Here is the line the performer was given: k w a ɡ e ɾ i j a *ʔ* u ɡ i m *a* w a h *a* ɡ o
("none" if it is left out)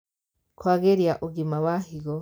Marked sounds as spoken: ʔ, a, i

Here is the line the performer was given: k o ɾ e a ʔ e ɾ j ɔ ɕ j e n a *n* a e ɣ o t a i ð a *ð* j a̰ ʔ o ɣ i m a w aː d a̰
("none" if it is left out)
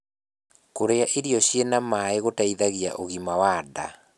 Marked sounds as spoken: m, ɣ

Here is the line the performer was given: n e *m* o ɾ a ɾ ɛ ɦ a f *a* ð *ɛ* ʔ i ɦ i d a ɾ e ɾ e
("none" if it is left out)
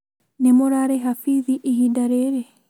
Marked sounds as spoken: m, i, i

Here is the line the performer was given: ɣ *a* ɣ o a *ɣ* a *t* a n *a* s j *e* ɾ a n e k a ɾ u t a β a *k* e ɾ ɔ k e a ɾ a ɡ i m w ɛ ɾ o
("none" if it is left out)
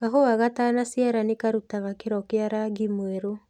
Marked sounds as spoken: a, ɣ, t, a, a, k

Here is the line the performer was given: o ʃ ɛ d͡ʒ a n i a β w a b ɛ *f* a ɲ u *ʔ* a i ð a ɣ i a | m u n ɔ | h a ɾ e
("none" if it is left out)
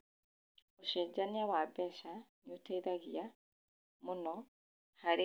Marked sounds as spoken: ʃ, t

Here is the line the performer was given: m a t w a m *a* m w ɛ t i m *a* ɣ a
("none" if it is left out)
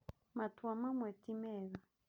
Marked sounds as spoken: a, ɛ

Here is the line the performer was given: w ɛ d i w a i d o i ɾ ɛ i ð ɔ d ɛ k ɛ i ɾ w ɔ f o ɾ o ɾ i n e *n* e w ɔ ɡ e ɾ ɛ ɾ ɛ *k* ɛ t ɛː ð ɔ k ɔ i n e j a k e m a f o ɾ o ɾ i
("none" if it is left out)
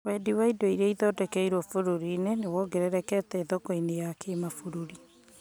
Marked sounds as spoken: n, k

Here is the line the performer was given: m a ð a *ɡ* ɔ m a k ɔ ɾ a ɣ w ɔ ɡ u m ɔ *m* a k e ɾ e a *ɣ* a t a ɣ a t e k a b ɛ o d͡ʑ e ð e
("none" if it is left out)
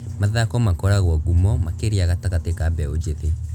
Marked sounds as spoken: k, m, ɣ

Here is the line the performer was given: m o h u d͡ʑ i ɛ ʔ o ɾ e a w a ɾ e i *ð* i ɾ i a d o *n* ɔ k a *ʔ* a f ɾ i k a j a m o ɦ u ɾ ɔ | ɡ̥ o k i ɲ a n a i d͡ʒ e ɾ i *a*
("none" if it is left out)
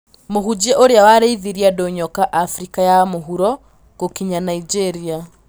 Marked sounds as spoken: ð, ɲ, ʔ, a

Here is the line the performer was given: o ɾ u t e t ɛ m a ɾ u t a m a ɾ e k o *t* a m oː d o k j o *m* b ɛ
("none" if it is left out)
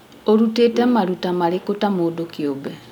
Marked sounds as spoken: t, none

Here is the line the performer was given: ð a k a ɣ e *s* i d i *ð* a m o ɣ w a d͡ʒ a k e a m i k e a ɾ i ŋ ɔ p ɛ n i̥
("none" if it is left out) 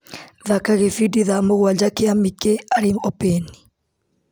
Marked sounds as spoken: f, ð

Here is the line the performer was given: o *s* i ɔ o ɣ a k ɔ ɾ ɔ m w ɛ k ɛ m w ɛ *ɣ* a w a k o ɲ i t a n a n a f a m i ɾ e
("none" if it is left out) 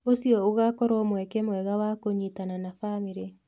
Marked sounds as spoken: s, ɣ

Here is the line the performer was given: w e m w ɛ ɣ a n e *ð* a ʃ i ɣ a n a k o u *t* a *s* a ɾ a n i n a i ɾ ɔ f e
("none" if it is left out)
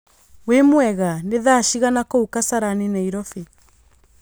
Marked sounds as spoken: ð, k, s

